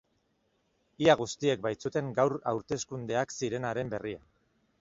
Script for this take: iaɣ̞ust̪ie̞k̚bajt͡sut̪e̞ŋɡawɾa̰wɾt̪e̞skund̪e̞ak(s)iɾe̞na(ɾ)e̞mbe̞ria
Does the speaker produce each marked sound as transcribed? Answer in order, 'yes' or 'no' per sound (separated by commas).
yes, yes